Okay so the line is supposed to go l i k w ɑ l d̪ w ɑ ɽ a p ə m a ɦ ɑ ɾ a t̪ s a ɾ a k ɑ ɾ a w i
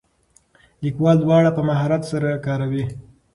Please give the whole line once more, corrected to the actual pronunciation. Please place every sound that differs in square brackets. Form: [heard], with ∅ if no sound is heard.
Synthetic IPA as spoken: l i k w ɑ l d̪ w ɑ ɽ a p ə m a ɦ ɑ ɾ a t̪ s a ɾ a k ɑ ɾ a w i